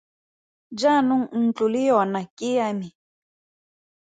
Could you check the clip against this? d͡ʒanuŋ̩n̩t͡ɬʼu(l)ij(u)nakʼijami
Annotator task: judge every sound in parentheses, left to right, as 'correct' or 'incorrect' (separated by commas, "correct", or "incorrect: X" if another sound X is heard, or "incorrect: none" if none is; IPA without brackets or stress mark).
correct, incorrect: ɔ